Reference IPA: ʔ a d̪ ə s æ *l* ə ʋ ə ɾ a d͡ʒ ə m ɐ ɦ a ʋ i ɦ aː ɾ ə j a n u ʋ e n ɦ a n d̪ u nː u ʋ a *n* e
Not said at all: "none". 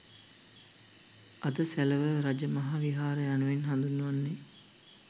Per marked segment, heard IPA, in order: l, nː

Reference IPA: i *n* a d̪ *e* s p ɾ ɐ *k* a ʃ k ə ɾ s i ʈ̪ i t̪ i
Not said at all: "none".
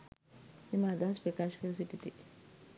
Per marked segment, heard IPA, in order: m, a, k

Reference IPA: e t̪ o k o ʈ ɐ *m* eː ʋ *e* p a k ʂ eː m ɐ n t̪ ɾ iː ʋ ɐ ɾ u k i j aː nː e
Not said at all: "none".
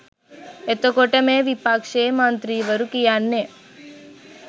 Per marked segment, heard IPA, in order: m, i

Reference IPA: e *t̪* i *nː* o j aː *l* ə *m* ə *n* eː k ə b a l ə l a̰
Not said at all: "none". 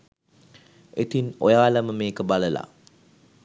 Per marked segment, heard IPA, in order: t̪, n, l, m, m

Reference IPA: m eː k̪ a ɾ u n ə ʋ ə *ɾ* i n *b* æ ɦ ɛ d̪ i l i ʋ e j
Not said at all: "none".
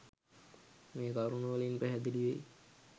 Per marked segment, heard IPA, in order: l, p

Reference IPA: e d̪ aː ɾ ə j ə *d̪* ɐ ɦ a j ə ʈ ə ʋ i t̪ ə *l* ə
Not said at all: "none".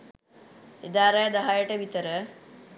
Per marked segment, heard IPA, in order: d̪, ɾ

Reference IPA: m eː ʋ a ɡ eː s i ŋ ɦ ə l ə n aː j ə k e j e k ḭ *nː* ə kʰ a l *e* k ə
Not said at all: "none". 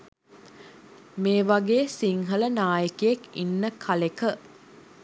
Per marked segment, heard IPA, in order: nː, e

